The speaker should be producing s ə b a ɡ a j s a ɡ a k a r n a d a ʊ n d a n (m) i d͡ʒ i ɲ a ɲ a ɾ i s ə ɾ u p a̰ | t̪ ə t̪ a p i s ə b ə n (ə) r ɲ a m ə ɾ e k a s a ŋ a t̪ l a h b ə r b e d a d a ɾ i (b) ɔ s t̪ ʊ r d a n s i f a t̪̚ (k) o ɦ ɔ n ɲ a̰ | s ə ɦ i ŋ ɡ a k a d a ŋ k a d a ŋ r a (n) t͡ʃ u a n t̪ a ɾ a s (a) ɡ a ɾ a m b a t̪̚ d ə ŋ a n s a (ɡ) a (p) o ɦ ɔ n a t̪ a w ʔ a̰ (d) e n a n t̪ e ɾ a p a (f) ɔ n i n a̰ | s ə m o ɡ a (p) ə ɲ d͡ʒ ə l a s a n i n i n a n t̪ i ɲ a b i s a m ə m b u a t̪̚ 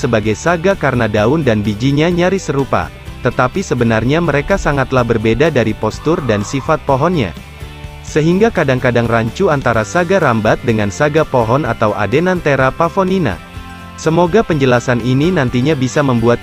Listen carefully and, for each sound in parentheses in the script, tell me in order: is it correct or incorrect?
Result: incorrect, incorrect, incorrect, incorrect, incorrect, correct, correct, correct, correct, correct, correct

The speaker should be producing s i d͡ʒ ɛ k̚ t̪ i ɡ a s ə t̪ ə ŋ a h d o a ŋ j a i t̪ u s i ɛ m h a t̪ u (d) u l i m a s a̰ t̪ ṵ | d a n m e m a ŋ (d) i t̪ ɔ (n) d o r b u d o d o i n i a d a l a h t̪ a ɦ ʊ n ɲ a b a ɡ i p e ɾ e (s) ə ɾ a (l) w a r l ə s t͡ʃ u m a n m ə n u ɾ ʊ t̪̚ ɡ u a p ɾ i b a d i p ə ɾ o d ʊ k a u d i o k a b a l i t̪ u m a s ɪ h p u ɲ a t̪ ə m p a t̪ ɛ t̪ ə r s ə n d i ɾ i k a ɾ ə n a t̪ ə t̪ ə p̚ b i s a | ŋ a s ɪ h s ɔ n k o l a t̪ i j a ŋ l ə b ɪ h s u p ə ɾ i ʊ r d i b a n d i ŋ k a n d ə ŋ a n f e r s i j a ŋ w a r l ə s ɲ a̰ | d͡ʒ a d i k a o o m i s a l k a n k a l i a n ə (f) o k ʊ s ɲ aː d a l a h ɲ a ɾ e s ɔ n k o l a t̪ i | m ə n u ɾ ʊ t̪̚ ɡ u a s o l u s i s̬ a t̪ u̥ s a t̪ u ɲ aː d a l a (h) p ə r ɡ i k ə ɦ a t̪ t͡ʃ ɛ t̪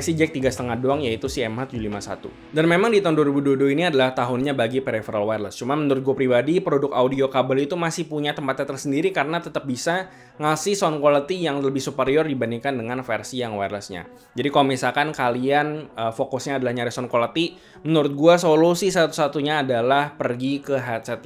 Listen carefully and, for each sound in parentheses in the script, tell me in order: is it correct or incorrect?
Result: incorrect, correct, correct, incorrect, correct, correct, correct

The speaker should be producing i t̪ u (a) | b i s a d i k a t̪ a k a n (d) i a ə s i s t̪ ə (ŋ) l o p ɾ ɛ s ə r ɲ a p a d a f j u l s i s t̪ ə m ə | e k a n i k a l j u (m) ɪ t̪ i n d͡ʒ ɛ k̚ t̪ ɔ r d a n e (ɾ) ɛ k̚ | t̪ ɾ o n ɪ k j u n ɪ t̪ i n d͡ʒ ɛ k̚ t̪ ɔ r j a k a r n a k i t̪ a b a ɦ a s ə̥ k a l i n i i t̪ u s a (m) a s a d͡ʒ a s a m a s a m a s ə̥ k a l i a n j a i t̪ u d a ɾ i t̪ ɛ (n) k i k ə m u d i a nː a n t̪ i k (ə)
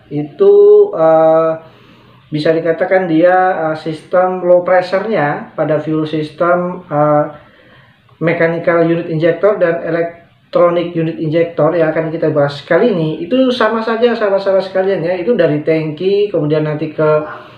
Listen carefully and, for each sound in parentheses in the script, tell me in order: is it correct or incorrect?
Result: incorrect, correct, incorrect, incorrect, incorrect, correct, incorrect, correct

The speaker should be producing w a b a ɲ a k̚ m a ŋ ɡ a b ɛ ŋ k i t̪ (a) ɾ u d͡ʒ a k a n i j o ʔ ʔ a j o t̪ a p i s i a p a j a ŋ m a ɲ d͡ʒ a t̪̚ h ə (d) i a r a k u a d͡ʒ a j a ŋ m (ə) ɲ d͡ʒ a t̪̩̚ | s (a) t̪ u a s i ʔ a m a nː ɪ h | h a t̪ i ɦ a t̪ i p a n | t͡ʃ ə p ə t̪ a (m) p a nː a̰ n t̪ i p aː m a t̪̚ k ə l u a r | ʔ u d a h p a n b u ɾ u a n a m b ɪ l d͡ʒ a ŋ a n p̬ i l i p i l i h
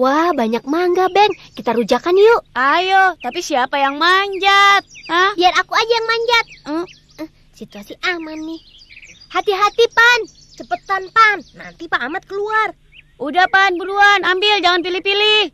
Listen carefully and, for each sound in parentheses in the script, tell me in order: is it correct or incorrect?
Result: correct, incorrect, incorrect, incorrect, incorrect

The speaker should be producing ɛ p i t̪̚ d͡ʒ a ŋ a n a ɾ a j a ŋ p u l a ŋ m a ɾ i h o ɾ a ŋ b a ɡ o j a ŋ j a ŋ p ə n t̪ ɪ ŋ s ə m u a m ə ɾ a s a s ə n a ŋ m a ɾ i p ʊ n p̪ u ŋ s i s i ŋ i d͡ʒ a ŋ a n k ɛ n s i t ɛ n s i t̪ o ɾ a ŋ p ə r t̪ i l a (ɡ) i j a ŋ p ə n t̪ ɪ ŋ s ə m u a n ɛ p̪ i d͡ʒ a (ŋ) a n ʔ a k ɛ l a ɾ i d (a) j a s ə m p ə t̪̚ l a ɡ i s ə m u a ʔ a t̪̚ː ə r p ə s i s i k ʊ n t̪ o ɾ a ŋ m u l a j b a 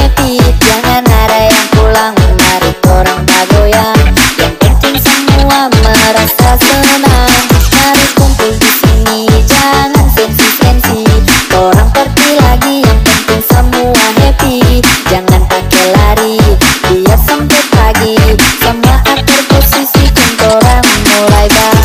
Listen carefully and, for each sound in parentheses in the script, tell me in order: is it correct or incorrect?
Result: correct, correct, incorrect

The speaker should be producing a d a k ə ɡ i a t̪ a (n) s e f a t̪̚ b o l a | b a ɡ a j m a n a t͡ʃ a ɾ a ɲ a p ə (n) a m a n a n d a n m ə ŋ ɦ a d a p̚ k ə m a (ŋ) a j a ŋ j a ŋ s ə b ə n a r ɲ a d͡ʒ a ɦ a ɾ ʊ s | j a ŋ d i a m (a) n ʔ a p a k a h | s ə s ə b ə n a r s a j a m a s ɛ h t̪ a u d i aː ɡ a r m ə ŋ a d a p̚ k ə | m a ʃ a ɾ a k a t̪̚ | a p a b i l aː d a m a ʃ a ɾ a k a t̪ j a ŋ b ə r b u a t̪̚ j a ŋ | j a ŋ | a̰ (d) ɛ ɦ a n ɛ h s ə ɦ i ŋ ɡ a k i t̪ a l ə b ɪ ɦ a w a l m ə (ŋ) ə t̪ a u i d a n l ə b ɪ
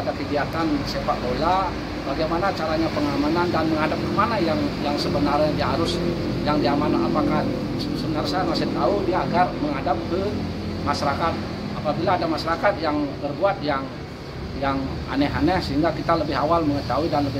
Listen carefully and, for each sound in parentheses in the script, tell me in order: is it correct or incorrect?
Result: correct, incorrect, incorrect, correct, incorrect, correct

